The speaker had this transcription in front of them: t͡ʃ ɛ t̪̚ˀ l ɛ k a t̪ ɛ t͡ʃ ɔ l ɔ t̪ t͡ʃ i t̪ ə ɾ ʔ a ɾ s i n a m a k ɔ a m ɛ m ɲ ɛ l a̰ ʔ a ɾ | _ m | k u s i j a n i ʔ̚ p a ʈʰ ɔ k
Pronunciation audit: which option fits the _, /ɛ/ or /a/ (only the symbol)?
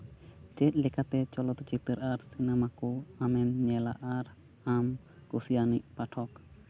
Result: a